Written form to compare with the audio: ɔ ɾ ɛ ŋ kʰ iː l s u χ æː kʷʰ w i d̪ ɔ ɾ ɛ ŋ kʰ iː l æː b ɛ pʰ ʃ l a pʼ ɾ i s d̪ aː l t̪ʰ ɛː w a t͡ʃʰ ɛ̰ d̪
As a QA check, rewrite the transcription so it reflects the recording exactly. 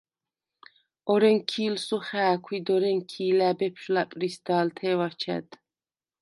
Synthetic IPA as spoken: ɔ ɾ ɛ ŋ kʰ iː l s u χ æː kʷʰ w i d̪ ɔ ɾ ɛ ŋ kʰ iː l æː b ɛ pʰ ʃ l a pʼ ɾ i s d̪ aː l t̪ʰ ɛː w a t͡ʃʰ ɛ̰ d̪

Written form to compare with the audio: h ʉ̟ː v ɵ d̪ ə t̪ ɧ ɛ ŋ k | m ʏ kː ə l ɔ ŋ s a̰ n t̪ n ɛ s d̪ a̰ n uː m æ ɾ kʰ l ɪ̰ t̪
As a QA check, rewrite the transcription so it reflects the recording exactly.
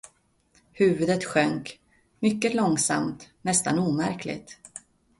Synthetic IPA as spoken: h ʉ̟ː v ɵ d̪ ə t̪ ɧ œ ŋ k | m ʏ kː ə l ɔ ŋ s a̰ m t̪ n ɛ s t̪ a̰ n uː m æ ɾ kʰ l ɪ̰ t̪

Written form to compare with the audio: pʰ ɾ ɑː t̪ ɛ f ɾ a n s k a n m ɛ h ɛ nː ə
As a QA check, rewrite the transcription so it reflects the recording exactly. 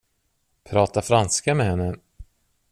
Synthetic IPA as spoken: pʰ ɾ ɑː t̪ a f ɾ a n s k a m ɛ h ɛ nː ə

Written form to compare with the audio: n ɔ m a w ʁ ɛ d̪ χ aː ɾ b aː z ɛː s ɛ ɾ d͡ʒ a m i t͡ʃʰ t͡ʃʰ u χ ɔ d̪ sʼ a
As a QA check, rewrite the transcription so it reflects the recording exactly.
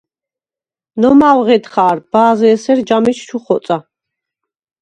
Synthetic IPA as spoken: n ɔ m a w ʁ ɛ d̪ χ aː ɾ b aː z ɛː s ɛ ɾ d͡ʒ a m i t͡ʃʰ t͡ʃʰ u χ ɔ t̪ sʼ a

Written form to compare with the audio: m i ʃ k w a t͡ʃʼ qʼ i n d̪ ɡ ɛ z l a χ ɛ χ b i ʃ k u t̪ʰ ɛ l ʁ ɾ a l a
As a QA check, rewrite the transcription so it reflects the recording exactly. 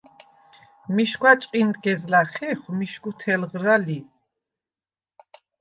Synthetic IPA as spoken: m i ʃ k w a t͡ʃʼ qʼ i n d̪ ɡ ɛ z l a χ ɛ χ m i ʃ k u t̪ʰ ɛ l ʁ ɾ a l i

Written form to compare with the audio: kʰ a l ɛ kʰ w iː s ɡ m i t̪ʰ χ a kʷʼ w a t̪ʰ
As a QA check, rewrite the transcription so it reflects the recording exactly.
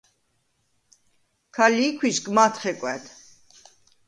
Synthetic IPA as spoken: kʰ a l i kʰ w i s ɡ m a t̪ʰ χ ɛ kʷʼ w ɛ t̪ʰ

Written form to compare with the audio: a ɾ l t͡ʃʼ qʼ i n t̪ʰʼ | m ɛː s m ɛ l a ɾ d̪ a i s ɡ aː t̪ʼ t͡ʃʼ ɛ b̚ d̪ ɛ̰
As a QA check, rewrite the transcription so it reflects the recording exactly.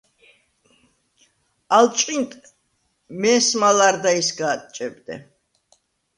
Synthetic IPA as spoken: a l t͡ʃʼ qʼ i n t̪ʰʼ | m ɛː s m a l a ɾ d̪ a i s ɡ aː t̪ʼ t͡ʃʼ ɛ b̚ d̪ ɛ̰

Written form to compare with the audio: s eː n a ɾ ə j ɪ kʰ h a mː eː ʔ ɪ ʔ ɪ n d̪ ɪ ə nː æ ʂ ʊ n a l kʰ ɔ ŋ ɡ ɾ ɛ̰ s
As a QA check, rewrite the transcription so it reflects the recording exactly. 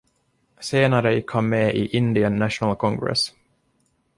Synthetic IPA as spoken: s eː n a ɾ ə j ɪ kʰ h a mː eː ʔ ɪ ʔ ɪ n d̪ ɪ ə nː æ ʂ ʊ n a l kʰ ɔ ŋ ɡ ɾ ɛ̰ s

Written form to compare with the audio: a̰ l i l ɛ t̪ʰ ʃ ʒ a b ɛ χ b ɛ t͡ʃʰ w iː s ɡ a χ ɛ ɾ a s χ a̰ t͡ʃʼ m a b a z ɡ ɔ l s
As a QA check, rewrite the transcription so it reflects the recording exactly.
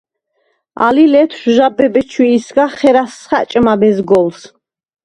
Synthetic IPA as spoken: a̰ l i l ɛ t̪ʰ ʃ ʒ a b ɛ b ɛ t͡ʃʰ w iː s ɡ a χ ɛ ɾ a s χ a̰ t͡ʃʼ m a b ɛ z ɡ ɔ l s

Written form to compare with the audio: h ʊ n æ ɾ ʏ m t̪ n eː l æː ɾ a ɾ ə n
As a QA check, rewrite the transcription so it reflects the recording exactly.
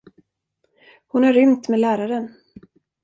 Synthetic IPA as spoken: h ʊ n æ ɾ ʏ m t̪ m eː l æː ɾ a ɾ ə n

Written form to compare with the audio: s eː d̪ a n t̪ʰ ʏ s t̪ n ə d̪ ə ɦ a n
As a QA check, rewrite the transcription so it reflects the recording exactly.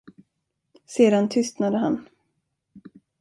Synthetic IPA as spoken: s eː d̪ a n t̪ʰ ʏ s t̪ n a d̪ ə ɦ a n

